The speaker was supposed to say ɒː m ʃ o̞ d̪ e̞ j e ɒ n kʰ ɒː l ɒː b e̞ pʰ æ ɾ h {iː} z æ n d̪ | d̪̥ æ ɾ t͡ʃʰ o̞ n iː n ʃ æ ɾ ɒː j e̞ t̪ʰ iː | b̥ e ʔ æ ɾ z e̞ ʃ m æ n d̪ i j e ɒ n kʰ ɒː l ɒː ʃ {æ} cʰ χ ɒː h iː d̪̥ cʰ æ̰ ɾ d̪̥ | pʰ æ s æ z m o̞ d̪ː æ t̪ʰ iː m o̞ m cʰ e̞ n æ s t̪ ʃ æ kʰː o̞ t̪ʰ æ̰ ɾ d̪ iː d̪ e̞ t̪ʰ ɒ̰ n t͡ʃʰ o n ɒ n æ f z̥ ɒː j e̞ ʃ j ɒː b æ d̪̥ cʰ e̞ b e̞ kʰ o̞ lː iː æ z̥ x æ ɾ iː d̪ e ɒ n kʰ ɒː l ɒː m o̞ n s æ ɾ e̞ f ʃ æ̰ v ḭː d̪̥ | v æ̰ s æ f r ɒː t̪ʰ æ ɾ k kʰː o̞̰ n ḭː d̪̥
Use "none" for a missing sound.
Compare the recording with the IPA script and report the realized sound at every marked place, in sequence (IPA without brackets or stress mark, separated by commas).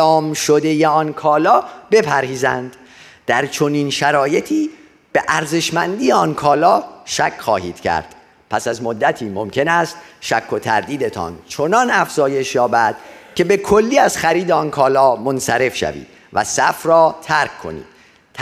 iː, æ